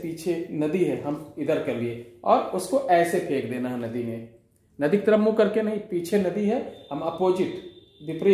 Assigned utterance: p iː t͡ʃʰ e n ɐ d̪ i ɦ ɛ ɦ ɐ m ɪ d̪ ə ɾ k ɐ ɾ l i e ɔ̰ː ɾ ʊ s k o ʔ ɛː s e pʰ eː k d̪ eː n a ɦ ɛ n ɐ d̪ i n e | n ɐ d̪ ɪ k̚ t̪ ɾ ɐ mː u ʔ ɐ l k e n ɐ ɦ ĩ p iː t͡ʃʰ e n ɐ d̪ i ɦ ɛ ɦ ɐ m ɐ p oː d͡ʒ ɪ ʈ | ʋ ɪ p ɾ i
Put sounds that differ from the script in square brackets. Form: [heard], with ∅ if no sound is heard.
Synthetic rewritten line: p iː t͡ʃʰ e n ɐ d̪ i ɦ ɛ ɦ ɐ m ɪ d̪ ə ɾ k ɐ ɾ l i e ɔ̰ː ɾ ʊ s k o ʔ ɛː s e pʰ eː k d̪ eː n a ɦ ɛ n ɐ d̪ i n e | n ɐ d̪ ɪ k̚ t̪ ɾ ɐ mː u [k] ɐ [ɾ] k e n ɐ ɦ ĩ p iː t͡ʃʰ e n ɐ d̪ i ɦ ɛ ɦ ɐ m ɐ p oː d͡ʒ ɪ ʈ | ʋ ɪ p ɾ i